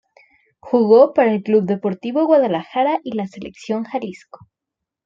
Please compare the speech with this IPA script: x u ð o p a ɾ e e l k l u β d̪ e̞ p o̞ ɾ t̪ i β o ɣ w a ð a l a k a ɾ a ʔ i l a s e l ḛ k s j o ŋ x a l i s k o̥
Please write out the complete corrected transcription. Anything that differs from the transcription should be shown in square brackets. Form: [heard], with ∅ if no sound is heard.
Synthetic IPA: x u [ɣ] o p a ɾ [a] e l k l u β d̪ e̞ p o̞ ɾ t̪ i β o ɣ w a ð a l a [x] a ɾ a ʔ i l a s e l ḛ k s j o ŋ x a l i s k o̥